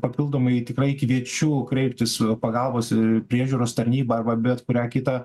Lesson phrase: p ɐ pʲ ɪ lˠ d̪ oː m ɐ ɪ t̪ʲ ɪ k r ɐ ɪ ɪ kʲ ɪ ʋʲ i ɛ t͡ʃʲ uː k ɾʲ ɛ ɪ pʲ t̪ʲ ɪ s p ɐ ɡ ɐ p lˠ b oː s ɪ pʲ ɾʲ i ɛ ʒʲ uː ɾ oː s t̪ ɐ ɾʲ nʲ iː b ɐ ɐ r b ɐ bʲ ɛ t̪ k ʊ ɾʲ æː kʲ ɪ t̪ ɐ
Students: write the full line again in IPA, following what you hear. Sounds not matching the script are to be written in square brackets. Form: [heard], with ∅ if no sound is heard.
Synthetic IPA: p ɐ pʲ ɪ lˠ d̪ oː m ɐ ɪ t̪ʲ ɪ k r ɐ ɪ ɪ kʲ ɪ ʋʲ i ɛ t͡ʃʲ uː k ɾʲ ɛ ɪ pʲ t̪ʲ ɪ s p ɐ ɡ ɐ [∅] lˠ b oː s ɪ pʲ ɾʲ i ɛ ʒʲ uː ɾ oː s t̪ ɐ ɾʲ nʲ iː b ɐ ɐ r b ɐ bʲ ɛ t̪ k ʊ ɾʲ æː kʲ ɪ t̪ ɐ